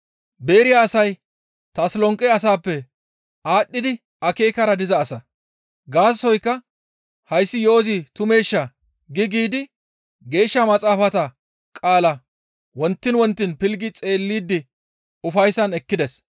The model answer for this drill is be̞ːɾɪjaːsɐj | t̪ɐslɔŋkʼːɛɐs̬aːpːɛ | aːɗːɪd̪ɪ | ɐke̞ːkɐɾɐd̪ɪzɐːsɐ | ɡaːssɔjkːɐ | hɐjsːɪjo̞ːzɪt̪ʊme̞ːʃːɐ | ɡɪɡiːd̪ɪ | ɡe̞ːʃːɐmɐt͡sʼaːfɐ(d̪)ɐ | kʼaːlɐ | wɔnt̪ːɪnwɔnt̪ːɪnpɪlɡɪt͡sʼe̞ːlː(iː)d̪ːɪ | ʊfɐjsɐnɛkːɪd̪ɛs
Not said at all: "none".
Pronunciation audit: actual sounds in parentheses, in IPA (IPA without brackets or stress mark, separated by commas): t̪, iː